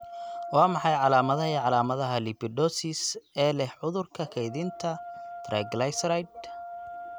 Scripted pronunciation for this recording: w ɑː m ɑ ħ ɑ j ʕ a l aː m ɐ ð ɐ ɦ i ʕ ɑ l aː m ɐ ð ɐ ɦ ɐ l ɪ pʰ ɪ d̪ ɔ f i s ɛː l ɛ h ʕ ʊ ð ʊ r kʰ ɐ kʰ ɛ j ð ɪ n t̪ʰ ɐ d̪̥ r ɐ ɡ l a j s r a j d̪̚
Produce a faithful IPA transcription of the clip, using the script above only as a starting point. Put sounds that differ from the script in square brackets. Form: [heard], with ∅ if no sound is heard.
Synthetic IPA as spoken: w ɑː m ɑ ħ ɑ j ʕ [ɑ] l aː m ɐ ð ɐ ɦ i ʕ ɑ l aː m ɐ ð ɐ ɦ ɐ l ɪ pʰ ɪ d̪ ɔ [s] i s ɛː l ɛ h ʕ ʊ ð ʊ r kʰ ɐ kʰ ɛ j ð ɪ n t̪ʰ ɐ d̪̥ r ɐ ɡ l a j s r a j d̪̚